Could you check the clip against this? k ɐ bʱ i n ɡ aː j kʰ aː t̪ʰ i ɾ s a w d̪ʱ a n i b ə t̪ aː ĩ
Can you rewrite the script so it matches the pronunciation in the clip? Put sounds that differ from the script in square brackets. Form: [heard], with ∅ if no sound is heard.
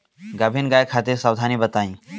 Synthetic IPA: [ɡ] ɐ bʱ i n ɡ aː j kʰ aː [t̪] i ɾ s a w d̪ʱ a n i b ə t̪ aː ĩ